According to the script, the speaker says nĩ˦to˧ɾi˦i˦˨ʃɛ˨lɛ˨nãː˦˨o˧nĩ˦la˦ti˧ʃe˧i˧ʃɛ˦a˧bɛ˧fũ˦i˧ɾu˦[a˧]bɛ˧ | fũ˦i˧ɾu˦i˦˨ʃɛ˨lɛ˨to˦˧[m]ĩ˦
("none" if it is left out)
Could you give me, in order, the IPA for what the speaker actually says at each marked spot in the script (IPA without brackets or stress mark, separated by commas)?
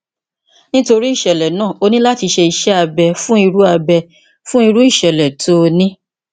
a˧, n